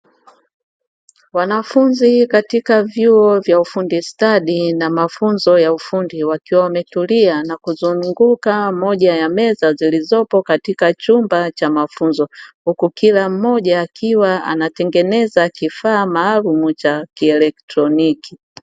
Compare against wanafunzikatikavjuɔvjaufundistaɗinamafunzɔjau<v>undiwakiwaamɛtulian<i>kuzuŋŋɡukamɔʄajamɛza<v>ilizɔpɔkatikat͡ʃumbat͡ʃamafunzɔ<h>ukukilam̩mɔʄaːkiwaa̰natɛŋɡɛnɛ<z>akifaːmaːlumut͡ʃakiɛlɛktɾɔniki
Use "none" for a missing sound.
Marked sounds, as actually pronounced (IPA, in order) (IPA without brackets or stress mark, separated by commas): f, a, z, h, z